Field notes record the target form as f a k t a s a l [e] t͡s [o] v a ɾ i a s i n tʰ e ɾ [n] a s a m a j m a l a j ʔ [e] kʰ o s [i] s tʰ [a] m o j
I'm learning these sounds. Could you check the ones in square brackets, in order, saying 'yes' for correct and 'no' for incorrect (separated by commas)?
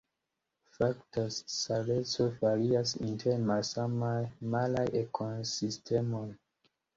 yes, yes, no, yes, yes, no